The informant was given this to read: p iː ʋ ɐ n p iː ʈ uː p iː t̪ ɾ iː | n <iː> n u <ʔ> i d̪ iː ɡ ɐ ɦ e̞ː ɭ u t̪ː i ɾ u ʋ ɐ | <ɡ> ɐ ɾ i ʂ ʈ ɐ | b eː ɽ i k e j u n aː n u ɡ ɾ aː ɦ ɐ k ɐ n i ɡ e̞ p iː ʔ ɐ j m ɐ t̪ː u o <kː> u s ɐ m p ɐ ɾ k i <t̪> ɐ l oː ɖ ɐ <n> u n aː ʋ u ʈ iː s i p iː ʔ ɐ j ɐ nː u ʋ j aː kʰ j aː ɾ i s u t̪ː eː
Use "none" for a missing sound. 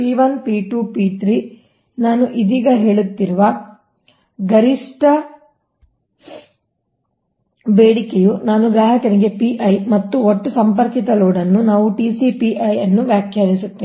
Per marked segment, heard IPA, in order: aː, ʔ, ɡ, ʈː, t̪, nː

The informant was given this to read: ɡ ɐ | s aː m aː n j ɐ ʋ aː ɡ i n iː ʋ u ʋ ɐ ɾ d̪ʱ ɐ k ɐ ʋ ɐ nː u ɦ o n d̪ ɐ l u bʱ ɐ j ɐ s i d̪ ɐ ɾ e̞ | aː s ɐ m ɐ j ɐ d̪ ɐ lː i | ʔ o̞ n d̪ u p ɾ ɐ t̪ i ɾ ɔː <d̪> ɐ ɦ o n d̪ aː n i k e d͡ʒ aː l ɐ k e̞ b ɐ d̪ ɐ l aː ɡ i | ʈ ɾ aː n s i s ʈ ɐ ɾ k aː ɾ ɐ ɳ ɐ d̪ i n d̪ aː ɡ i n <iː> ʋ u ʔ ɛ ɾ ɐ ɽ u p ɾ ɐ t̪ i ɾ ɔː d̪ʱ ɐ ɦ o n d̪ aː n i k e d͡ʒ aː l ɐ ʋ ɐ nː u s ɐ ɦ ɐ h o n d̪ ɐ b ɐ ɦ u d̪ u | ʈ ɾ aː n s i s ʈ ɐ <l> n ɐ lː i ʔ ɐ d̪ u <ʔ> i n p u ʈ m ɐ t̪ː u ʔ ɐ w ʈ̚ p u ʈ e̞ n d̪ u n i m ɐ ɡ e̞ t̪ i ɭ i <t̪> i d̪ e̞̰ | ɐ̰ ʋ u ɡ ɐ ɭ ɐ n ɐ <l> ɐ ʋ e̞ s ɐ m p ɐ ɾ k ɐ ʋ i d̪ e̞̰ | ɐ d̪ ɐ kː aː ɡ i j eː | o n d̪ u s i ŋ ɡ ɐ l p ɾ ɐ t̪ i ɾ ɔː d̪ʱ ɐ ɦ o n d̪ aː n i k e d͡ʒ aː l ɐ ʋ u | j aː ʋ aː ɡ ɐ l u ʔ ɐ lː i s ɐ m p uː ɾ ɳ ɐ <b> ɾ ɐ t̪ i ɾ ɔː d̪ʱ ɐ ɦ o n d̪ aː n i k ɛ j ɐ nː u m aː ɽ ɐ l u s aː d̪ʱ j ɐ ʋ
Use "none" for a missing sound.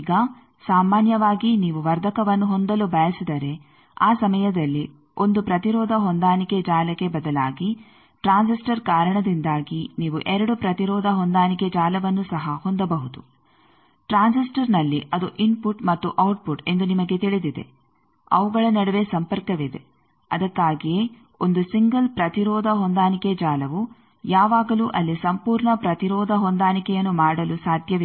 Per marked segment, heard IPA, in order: d̪, iː, ɾ, ʔ, d̪, ɽ, p

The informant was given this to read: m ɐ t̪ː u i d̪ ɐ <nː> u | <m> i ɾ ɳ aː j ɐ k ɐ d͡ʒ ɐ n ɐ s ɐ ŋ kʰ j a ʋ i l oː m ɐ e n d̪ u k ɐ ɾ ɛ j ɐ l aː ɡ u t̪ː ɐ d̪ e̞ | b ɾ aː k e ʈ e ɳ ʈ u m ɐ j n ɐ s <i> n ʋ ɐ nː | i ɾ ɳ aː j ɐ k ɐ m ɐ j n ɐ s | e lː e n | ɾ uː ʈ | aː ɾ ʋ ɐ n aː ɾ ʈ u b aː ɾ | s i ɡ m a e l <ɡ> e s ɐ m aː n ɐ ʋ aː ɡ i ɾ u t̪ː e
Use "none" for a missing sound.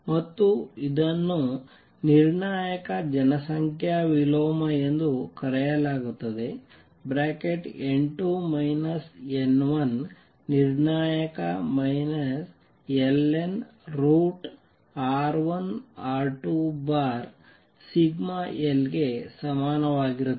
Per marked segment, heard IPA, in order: nː, n, e, ɡ

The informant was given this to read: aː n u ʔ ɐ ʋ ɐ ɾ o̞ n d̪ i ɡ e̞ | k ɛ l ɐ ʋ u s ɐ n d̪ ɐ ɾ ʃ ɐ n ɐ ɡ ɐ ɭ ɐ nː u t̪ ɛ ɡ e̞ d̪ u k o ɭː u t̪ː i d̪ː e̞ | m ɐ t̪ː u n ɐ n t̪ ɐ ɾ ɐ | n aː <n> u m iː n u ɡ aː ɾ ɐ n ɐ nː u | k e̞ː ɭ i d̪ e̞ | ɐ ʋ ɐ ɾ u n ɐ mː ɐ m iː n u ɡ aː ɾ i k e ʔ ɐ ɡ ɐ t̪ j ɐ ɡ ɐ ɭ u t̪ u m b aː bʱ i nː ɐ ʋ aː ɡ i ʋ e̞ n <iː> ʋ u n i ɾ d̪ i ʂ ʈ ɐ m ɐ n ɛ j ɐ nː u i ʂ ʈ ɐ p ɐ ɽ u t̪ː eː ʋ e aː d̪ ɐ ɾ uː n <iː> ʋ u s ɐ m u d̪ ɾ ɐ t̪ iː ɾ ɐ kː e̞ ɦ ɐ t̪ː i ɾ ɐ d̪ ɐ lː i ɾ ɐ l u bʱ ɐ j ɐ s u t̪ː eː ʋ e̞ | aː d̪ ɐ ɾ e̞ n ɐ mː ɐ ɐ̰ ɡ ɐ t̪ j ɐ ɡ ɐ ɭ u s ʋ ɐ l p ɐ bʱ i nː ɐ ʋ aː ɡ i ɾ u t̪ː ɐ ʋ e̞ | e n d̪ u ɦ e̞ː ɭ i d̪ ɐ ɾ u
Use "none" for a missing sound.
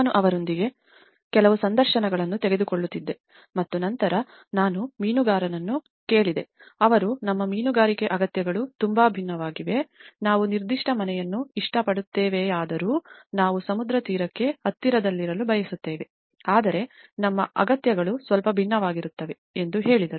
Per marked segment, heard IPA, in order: n, aː, aː

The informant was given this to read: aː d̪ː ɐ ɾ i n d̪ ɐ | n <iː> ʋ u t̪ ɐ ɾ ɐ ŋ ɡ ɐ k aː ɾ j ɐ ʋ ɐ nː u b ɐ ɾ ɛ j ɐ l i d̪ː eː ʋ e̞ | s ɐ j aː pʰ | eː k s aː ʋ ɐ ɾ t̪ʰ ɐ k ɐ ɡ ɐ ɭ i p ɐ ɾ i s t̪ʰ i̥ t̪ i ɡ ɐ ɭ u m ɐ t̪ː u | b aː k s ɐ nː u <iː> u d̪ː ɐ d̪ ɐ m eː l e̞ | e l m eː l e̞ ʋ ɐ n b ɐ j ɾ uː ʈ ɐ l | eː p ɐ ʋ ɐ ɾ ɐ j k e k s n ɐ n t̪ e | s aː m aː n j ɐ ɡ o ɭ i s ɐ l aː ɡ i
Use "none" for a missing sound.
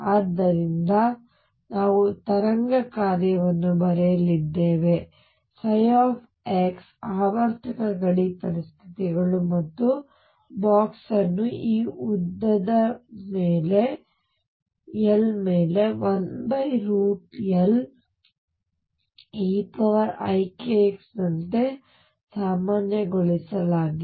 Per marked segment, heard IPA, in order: aː, iː

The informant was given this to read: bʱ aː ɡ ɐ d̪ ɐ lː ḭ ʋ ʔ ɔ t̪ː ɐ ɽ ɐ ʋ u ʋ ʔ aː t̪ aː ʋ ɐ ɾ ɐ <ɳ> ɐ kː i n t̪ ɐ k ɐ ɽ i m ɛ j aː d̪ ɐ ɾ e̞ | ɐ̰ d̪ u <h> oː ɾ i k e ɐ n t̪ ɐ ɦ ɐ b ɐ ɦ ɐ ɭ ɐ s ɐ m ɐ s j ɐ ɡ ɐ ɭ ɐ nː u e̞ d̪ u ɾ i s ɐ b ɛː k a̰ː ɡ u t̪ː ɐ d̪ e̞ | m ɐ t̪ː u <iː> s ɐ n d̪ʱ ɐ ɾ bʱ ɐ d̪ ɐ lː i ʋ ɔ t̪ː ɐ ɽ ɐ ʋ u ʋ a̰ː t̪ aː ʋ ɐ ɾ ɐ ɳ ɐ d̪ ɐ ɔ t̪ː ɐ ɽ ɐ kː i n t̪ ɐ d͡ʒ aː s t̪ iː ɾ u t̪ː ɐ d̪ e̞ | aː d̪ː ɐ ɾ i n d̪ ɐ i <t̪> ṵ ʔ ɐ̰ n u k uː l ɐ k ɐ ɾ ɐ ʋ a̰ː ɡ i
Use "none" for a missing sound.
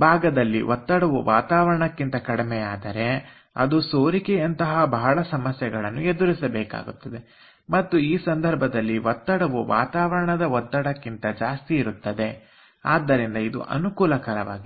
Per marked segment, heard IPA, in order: ɳ, s, iː, d̪

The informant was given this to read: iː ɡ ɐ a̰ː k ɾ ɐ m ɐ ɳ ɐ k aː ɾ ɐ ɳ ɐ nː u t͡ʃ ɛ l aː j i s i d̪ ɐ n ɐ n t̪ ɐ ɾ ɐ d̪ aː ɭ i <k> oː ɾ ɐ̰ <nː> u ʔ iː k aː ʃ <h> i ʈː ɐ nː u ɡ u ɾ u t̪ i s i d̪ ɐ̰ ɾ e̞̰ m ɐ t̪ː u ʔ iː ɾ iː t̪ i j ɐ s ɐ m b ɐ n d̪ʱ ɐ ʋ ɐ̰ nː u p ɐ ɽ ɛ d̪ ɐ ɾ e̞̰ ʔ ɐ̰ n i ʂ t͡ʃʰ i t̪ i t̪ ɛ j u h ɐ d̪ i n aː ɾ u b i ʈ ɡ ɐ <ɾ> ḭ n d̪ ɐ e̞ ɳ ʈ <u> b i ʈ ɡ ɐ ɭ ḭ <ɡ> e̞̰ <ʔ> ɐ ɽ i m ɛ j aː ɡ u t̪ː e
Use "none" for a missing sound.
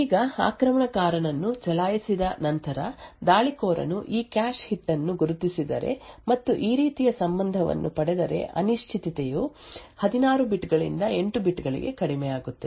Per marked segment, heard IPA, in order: k, n, h, ɭ, u, ɡ, k

